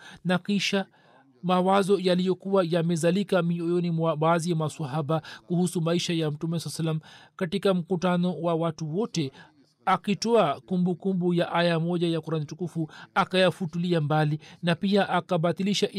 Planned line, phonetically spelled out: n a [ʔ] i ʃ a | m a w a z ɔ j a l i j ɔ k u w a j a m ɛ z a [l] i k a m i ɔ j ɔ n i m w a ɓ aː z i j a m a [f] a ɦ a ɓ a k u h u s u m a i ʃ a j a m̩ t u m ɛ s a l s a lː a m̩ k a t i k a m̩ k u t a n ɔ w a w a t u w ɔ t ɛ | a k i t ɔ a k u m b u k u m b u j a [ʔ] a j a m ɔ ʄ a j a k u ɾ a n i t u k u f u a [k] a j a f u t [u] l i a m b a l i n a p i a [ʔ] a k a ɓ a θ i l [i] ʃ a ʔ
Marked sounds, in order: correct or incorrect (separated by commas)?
incorrect, correct, incorrect, correct, correct, correct, correct, correct